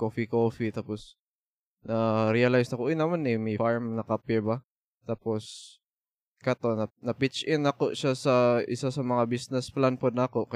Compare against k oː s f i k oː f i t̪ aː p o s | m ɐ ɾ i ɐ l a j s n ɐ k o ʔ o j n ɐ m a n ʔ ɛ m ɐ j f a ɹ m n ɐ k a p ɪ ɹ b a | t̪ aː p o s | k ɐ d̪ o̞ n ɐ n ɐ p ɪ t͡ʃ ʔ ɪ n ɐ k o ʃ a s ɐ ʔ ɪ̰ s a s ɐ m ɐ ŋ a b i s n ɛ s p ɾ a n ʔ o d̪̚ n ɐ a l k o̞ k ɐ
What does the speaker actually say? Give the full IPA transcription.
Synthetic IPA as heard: k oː f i k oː f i t̪ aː p o s | n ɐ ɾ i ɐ l a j s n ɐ k o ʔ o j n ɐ m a n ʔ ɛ m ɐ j f a ɹ m n ɐ k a p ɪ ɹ b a | t̪ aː p o s | k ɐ t̪ o̞ n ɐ n ɐ p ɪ t͡ʃ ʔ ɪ n ɐ k o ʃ a s ɐ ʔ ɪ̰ s a s ɐ m ɐ ŋ a b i s n ɛ s p l a n p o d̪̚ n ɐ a k o̞ k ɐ